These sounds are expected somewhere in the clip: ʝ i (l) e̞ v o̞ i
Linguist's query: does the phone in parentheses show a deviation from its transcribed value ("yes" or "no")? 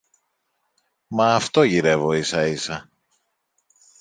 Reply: yes